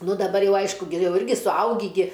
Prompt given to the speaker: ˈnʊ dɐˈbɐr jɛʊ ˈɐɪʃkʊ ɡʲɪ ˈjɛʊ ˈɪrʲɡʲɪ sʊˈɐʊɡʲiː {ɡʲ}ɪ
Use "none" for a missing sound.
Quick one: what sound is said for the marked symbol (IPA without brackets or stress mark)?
ɡʲ